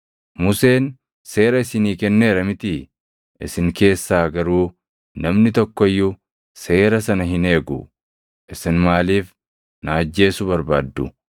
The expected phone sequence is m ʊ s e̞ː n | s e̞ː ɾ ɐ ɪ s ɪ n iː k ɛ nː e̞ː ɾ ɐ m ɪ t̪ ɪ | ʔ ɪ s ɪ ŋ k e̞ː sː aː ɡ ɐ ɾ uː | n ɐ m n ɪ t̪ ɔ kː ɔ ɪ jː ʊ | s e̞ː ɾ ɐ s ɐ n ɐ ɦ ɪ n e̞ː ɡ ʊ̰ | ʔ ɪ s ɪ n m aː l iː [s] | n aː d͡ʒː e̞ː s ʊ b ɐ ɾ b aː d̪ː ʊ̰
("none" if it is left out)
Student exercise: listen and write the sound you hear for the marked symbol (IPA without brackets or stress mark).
f